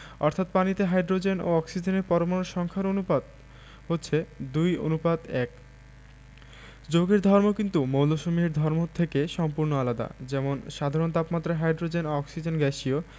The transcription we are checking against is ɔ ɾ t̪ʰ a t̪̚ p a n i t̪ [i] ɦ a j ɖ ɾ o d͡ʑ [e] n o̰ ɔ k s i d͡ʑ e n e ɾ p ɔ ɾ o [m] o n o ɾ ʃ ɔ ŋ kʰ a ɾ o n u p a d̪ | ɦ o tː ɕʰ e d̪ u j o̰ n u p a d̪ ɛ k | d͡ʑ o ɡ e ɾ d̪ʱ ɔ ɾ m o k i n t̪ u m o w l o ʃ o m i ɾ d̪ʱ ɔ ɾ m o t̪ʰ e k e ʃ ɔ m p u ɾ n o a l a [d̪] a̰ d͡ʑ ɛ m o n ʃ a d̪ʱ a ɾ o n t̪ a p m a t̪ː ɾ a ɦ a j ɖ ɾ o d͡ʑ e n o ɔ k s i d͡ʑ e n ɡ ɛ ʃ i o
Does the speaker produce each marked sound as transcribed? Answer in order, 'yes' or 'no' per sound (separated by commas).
no, yes, yes, yes